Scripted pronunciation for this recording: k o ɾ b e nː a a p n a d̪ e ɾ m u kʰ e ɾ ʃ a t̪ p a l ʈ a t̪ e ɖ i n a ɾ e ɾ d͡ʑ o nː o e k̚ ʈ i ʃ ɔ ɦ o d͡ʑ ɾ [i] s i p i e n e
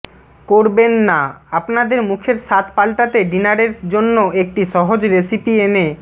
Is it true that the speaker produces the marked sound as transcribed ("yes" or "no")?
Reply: no